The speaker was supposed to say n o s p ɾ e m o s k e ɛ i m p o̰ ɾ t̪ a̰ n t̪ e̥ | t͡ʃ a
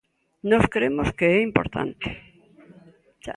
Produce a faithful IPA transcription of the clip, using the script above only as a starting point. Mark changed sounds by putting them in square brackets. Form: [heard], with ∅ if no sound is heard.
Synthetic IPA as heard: n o s [k] ɾ e m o s k e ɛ i m p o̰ ɾ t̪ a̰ n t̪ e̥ | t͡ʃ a

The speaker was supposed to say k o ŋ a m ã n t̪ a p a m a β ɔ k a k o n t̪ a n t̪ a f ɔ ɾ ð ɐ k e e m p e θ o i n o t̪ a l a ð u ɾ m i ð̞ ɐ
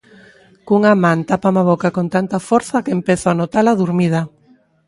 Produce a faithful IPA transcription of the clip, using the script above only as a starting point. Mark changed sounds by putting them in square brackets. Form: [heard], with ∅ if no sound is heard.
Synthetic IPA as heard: k [u] ŋ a m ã n t̪ a p a m a β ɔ k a k o n t̪ a n t̪ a f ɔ ɾ [θ] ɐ k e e m p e θ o [a] n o t̪ a l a ð u ɾ m i ð̞ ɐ

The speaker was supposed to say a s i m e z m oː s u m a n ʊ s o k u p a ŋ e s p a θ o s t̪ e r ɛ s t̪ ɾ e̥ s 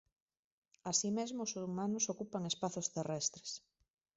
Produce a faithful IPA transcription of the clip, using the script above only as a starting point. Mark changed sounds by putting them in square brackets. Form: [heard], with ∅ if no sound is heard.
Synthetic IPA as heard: a s i m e z m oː s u m a n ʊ s o k u p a ŋ e s p a θ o s t̪ e r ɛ s t̪ ɾ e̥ s

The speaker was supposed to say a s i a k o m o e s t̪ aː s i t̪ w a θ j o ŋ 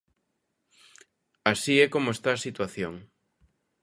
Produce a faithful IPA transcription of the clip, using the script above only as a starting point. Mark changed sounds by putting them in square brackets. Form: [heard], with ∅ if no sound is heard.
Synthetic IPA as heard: a s i [ɛ] k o m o e s t̪ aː s i t̪ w a θ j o ŋ

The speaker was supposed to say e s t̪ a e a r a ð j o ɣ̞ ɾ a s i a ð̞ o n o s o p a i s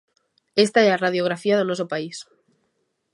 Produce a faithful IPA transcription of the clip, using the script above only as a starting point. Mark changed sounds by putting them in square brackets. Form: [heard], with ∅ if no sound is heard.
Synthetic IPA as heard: e s t̪ a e a r a ð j o ɣ̞ ɾ a [f] i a ð̞ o n o s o p a i s

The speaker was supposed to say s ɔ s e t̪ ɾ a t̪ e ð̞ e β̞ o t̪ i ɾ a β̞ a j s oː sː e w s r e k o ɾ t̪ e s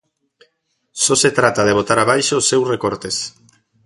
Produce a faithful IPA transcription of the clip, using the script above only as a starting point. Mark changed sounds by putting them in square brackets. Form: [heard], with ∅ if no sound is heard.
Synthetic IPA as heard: s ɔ s e t̪ ɾ a t̪ [a] ð̞ e β̞ o t̪ [a] ɾ a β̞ a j [ʃ] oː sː e w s r e k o ɾ t̪ e s

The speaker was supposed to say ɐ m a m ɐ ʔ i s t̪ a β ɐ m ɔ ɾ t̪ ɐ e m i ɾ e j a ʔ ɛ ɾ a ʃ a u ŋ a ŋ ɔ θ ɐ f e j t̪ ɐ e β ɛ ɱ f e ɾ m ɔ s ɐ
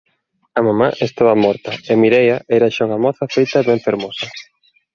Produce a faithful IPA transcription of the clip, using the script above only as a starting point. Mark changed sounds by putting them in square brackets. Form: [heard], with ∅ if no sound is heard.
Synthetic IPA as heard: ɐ m a m [a] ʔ [e] s t̪ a β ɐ m ɔ ɾ t̪ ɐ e m i ɾ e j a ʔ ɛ ɾ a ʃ a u ŋ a [m] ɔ θ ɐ f e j t̪ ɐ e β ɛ ɱ f e ɾ m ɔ s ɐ

